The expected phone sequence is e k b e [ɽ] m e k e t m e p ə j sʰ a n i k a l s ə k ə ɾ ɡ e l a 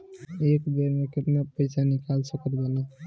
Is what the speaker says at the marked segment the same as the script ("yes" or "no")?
no